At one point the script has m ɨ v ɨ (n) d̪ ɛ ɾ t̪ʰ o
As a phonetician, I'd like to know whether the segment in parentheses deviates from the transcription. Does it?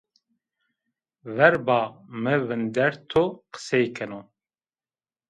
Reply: no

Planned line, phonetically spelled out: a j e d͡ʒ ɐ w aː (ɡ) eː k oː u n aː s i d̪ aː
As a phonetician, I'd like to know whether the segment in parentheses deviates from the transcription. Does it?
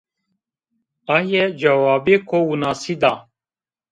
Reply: yes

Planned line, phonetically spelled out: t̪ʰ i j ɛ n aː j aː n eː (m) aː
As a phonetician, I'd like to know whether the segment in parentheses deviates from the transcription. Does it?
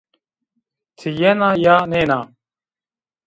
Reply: yes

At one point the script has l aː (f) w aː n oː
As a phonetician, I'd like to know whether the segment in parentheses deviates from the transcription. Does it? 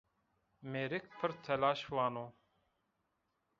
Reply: yes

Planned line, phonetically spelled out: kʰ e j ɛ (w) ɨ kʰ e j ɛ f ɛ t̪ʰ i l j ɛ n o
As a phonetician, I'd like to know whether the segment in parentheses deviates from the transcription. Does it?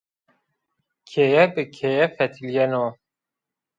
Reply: yes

